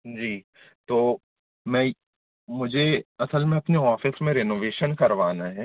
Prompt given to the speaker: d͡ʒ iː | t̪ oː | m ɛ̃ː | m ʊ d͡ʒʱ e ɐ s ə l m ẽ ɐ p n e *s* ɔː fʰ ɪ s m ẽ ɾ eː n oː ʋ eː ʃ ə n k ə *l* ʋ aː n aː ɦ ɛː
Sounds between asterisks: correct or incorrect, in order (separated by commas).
incorrect, incorrect